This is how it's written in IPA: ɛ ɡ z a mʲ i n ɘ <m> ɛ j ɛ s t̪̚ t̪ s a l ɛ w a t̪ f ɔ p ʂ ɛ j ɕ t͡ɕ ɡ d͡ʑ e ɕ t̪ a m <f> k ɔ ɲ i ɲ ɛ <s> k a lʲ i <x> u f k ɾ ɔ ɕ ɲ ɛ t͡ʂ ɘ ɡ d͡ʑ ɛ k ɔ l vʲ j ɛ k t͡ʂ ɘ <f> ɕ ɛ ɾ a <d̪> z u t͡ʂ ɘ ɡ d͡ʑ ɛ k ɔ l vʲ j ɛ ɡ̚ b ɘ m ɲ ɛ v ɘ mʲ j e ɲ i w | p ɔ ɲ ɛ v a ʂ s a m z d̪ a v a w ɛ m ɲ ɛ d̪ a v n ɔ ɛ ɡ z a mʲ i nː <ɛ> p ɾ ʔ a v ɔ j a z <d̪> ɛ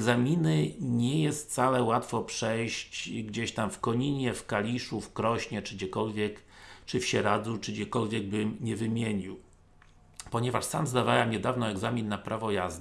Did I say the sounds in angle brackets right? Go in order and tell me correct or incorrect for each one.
incorrect: ɲ, correct, incorrect: f, incorrect: ʂ, correct, correct, incorrect: a, correct

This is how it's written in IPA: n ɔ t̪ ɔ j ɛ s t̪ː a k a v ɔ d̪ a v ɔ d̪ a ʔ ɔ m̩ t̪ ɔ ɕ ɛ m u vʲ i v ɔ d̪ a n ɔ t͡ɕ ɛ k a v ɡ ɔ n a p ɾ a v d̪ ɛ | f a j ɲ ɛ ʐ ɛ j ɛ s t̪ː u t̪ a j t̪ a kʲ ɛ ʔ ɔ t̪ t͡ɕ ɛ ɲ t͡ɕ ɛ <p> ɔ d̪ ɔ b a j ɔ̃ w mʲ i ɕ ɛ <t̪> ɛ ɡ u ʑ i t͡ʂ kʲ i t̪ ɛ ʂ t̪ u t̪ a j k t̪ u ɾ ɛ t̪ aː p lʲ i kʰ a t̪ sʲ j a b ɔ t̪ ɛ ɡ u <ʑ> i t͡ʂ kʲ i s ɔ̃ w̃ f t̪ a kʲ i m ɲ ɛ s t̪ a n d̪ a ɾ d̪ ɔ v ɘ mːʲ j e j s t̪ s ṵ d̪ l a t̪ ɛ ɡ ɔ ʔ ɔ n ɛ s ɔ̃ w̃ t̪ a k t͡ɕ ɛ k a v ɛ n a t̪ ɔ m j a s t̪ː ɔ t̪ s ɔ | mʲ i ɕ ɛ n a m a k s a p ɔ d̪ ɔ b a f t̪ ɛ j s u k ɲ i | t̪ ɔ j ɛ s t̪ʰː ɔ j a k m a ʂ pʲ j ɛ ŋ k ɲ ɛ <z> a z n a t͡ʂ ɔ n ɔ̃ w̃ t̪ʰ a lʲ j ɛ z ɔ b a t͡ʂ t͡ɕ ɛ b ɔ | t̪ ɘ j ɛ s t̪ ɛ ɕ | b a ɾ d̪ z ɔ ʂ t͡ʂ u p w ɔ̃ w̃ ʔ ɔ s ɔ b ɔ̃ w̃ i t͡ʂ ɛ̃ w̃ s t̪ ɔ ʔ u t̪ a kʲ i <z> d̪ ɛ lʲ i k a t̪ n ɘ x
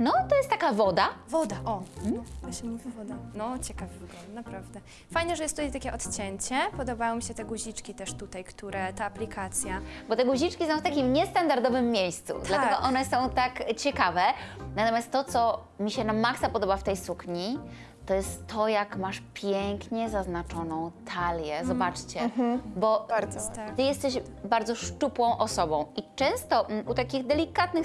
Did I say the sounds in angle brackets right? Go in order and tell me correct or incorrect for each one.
correct, correct, correct, correct, incorrect: ɣ

